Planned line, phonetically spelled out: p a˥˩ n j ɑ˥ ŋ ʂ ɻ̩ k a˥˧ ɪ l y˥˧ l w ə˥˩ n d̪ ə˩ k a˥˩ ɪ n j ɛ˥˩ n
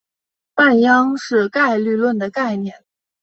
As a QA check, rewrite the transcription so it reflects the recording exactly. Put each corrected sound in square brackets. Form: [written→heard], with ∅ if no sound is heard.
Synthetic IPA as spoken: p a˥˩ n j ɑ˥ ŋ ʂ ɻ̩ k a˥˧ ɪ l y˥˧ l w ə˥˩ n d̪ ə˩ k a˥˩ ɪ n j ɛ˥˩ n

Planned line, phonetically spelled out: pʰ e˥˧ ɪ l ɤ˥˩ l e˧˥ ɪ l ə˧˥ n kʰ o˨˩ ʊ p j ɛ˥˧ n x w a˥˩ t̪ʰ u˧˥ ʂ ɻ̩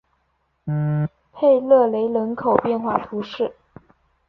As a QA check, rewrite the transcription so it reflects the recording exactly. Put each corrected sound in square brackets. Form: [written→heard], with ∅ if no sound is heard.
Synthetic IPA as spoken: pʰ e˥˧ ɪ l ɤ˥˩ l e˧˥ ɪ l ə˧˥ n kʰ o˨˩ ʊ p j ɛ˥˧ n x w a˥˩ t̪ʰ u˧˥ ʂ ɻ̩

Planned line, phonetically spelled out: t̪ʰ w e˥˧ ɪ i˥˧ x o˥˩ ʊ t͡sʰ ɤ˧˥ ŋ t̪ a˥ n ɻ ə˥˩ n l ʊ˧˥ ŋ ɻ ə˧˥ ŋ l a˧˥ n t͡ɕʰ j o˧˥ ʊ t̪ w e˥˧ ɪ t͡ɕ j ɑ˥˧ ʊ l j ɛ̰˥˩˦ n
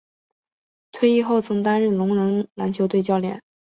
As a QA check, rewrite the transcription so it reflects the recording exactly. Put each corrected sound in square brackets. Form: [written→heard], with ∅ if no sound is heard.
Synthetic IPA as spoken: t̪ʰ w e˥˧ ɪ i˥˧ x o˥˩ ʊ t͡sʰ ɤ˧˥ ŋ t̪ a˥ n ɻ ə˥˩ n l ʊ˧˥ ŋ ɻ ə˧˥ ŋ l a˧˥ n t͡ɕʰ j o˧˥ ʊ t̪ w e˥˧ ɪ t͡ɕ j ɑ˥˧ ʊ l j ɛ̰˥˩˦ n

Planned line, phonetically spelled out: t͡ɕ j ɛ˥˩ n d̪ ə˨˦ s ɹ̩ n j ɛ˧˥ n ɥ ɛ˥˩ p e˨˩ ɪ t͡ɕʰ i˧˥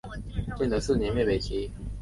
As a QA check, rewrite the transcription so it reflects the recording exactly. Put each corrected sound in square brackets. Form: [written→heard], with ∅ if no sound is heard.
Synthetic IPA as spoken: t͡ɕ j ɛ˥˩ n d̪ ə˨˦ s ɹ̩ n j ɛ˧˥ n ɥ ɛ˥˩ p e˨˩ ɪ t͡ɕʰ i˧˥

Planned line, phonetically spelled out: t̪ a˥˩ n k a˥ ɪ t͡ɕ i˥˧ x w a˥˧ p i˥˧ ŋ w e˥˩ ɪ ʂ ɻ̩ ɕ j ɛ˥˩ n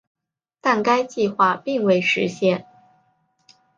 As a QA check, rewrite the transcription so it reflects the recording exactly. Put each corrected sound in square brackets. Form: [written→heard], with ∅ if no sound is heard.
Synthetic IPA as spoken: t̪ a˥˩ n k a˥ ɪ t͡ɕ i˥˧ x w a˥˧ p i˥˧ ŋ w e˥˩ ɪ ʂ ɻ̩ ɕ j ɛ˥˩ n

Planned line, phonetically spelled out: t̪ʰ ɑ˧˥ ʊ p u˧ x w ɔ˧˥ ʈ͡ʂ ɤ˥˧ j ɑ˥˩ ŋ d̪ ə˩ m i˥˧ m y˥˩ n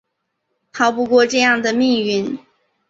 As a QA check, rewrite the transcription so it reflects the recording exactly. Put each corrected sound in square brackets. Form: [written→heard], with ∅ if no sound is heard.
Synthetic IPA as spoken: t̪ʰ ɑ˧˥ ʊ p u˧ [x→k] w [ɔ˧˥→ɔ˥˧] ʈ͡ʂ ɤ˥˧ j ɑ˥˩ ŋ d̪ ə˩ m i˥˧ [m→ŋ] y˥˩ n

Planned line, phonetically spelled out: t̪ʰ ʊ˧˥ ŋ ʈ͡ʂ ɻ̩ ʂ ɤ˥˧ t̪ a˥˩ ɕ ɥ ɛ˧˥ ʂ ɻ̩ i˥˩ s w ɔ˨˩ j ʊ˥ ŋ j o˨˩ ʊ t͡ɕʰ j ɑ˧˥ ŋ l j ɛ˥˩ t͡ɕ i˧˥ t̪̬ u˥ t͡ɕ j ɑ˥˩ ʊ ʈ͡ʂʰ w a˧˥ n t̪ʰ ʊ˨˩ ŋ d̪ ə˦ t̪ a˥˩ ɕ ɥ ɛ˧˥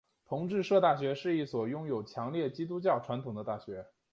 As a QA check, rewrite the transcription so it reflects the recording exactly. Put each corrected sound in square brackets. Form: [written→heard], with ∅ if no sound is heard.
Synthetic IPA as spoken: t̪ʰ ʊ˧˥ ŋ ʈ͡ʂ ɻ̩ ʂ ɤ˥˧ t̪ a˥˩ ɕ ɥ ɛ˧˥ ʂ ɻ̩ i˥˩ s w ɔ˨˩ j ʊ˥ ŋ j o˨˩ ʊ t͡ɕʰ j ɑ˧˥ ŋ l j ɛ˥˩ t͡ɕ [i˧˥→i˥] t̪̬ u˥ t͡ɕ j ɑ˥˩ ʊ ʈ͡ʂʰ w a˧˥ n t̪ʰ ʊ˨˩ ŋ d̪ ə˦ t̪ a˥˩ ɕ ɥ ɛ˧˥

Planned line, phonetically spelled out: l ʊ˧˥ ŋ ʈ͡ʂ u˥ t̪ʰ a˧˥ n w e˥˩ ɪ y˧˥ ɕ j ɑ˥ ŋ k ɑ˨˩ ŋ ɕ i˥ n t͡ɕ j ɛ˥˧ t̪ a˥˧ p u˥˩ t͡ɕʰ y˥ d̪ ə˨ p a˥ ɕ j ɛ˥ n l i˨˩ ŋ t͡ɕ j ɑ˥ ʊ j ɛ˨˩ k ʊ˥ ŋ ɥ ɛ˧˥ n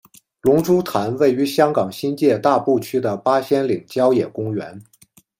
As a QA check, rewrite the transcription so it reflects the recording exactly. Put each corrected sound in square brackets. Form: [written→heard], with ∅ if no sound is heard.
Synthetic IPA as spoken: l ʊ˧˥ ŋ ʈ͡ʂ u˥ t̪ʰ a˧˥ n w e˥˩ ɪ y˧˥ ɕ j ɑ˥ ŋ k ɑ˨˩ ŋ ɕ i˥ n t͡ɕ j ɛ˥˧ t̪ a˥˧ p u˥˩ t͡ɕʰ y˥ d̪ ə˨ p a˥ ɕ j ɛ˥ n l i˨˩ ŋ t͡ɕ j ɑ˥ ʊ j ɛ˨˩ k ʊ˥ ŋ ɥ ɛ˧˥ n

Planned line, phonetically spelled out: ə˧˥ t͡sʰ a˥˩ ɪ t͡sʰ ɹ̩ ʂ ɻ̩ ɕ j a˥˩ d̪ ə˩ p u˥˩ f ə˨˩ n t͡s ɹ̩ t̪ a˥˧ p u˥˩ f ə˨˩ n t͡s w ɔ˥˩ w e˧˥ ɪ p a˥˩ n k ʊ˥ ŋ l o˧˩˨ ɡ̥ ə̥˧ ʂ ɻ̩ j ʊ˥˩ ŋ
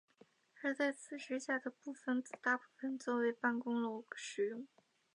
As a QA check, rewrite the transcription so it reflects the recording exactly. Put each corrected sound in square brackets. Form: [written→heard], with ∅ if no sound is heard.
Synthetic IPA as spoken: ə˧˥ [t͡sʰ→t͡s] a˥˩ ɪ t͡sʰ ɹ̩ ʂ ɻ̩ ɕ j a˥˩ d̪ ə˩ p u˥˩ f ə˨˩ n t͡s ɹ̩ t̪ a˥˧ p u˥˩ f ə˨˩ n t͡s w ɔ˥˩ w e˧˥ ɪ p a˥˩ n k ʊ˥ ŋ l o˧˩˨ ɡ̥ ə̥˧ ʂ ɻ̩ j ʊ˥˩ ŋ

